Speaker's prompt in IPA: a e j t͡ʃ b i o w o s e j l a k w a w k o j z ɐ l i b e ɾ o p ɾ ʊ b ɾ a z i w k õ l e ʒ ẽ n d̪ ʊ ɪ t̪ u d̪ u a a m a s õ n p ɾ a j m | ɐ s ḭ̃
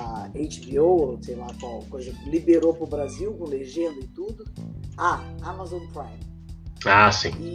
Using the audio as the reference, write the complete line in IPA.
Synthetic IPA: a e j t͡ʃ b i o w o s e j l a k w a w k o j z ɐ l i b e ɾ o p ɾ ʊ b ɾ a z i w k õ l e ʒ ẽ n d̪ ʊ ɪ t̪ u d̪ ʊ a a m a z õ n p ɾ a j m | a s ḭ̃